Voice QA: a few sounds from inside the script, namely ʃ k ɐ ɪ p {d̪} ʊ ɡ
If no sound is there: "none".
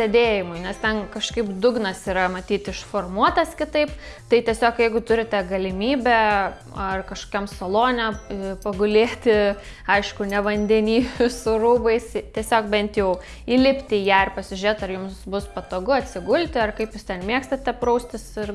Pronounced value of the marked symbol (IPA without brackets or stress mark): d̪